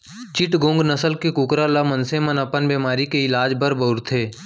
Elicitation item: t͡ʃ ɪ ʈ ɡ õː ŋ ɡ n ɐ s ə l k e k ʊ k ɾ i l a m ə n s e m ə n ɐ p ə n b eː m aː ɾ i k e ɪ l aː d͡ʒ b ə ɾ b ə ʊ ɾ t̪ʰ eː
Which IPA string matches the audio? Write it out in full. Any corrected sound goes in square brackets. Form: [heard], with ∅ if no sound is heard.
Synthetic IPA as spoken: t͡ʃ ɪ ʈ ɡ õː ŋ ɡ n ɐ s ə l k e k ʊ k ɾ [a] l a m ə n s e m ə n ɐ p ə n b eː m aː ɾ i k e ɪ l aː d͡ʒ b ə ɾ b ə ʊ ɾ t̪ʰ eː

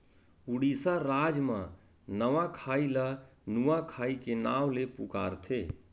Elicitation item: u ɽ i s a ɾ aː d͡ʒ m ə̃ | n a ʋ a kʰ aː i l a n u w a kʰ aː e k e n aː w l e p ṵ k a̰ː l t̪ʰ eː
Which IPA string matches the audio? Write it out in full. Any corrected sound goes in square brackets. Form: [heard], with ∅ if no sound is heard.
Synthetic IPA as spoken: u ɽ i s a ɾ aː d͡ʒ m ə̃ | n [ə] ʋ a kʰ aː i l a n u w a kʰ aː [i] k e n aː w l e p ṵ k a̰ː [ɾ] t̪ʰ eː

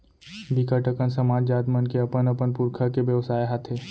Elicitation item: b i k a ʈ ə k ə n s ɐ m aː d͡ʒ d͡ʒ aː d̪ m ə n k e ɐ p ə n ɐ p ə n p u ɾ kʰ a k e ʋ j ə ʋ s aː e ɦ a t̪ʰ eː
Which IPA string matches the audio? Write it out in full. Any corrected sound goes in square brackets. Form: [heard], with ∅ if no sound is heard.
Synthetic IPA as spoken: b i k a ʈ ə k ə n s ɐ m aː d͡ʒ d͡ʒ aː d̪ m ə n k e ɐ p ə n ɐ p ə n p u ɾ kʰ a k e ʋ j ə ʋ s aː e ɦ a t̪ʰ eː

